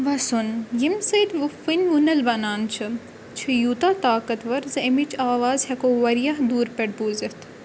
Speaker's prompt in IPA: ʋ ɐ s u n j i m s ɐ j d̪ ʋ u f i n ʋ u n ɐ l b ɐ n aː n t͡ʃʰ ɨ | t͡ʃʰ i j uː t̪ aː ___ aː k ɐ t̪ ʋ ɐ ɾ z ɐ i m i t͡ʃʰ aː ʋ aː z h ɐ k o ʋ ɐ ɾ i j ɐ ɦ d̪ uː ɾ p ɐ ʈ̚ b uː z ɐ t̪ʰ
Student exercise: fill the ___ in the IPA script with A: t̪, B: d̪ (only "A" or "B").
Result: A